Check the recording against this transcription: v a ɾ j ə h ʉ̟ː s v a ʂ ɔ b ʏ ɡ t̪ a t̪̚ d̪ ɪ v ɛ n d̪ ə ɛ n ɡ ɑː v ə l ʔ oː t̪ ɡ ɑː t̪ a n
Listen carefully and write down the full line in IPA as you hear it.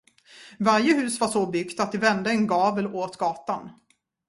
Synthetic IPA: v a ɾ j ə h ʉ̟ː s v a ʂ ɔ b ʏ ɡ t̪ a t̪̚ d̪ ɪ v ɛ n d̪ ə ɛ n ɡ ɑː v ə l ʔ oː t̪ ɡ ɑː t̪ a n